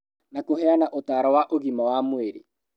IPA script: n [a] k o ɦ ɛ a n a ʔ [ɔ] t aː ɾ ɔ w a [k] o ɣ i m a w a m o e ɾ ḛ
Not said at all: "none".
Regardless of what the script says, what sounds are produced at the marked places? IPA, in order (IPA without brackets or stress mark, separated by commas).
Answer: a, o, ʔ